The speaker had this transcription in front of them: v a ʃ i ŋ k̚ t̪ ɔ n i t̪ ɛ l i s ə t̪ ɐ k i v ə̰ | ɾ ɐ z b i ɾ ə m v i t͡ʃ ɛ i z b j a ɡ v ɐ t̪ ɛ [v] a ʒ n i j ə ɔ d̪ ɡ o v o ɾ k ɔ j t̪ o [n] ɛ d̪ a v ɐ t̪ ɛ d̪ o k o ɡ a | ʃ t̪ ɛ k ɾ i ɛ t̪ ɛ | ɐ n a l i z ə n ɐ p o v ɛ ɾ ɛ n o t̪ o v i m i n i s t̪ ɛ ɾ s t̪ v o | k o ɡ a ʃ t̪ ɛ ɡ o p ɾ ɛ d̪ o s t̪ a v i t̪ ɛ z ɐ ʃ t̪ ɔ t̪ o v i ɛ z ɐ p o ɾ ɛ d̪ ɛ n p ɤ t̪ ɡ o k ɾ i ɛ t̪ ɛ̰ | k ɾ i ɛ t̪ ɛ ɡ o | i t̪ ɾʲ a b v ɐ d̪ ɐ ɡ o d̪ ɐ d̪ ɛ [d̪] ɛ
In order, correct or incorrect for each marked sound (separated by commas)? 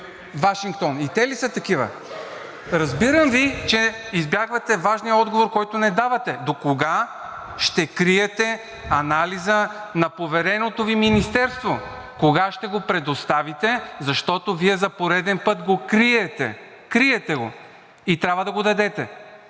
correct, correct, incorrect